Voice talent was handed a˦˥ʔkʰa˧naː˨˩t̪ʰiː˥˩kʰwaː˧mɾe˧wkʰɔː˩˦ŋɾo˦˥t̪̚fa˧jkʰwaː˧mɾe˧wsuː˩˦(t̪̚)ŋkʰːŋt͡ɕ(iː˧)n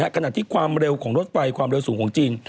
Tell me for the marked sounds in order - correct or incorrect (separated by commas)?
incorrect, correct